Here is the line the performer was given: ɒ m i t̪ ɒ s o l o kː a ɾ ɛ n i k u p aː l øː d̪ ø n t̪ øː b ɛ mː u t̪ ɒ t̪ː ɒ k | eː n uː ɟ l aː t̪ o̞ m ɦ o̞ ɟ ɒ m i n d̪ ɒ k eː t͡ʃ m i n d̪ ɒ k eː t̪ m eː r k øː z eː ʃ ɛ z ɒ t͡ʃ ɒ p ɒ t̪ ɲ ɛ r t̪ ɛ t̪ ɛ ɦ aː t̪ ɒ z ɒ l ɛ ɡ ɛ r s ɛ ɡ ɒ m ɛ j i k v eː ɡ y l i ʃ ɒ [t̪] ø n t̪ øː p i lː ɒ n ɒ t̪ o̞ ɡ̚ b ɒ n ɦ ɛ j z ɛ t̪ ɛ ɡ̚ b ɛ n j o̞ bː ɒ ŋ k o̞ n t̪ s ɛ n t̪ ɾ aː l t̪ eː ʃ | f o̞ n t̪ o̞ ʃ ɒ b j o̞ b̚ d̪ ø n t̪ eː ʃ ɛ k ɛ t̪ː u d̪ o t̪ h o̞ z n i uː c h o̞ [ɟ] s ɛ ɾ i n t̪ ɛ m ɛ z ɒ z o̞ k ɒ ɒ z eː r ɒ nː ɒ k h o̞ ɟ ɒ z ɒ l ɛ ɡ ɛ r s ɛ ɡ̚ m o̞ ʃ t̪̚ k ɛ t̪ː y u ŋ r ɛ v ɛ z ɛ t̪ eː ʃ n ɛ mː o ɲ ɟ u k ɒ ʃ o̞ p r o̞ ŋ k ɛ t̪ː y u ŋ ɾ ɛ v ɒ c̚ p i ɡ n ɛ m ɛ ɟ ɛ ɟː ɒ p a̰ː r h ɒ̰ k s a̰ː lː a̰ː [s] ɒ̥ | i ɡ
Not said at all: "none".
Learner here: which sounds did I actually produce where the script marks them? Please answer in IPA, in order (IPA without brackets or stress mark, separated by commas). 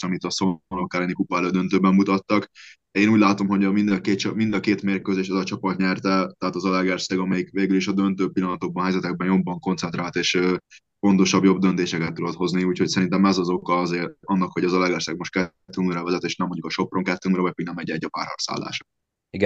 d̪, c, ʃ